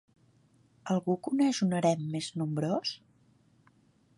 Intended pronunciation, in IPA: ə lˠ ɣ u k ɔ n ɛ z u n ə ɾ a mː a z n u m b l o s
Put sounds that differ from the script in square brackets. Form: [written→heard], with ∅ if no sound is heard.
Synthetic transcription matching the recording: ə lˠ ɣ u k [ɔ→u] n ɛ [z→ʒ] u n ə ɾ [a→ɛ] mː [a→e] z n u m b [l→ɾ] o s